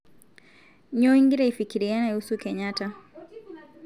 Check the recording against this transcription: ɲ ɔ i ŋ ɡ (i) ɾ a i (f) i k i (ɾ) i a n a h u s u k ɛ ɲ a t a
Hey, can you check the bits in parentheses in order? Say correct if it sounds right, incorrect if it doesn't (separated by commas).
correct, correct, correct